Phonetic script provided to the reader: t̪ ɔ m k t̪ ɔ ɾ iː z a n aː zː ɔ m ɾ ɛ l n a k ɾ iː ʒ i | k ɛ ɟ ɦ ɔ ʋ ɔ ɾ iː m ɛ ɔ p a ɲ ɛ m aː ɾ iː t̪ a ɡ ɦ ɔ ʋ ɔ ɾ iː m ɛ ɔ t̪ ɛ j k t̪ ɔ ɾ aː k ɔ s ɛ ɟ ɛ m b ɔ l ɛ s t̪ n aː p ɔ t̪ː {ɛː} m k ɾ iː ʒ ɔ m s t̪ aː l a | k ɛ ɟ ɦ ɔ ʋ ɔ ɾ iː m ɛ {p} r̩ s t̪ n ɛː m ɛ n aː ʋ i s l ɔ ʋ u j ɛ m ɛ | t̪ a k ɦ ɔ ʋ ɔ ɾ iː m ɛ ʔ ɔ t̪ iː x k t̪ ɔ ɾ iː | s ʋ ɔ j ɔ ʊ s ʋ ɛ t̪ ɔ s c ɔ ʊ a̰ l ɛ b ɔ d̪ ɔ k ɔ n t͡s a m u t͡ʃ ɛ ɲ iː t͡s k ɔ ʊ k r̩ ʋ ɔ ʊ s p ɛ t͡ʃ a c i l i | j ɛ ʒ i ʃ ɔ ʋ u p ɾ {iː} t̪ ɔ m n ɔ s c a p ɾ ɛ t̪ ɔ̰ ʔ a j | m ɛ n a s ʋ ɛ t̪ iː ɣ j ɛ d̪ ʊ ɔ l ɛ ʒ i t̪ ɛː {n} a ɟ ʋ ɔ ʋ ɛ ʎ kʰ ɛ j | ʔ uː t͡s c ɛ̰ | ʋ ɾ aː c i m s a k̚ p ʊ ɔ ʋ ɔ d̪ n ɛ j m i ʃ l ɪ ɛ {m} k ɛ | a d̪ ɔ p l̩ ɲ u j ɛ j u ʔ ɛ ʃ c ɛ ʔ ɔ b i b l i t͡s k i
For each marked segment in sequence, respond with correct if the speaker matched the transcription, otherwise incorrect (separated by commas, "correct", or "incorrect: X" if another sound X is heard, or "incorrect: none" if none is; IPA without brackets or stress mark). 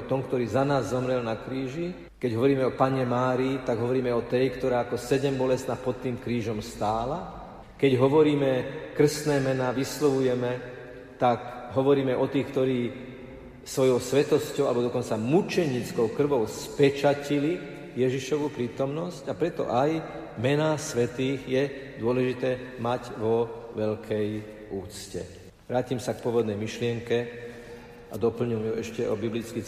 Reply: incorrect: iː, incorrect: k, correct, incorrect: m, incorrect: ŋ